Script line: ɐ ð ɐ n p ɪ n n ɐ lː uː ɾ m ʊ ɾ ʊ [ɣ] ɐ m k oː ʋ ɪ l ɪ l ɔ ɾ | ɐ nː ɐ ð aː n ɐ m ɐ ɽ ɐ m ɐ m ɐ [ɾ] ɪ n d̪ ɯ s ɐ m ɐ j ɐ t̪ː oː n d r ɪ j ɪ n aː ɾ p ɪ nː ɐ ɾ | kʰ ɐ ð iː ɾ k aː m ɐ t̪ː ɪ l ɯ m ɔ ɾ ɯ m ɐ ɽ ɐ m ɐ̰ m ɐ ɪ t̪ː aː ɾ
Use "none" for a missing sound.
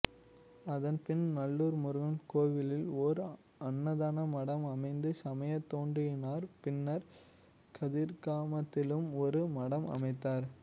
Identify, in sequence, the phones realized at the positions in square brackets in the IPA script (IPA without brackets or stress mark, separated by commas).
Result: ɣ, none